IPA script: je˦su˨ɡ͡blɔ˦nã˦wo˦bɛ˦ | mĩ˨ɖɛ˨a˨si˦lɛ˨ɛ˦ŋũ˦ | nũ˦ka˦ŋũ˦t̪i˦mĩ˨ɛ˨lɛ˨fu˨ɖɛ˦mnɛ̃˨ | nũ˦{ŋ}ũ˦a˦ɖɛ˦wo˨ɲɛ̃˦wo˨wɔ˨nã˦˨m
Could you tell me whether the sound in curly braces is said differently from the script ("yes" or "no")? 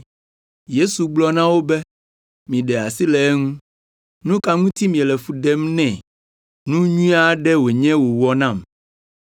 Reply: yes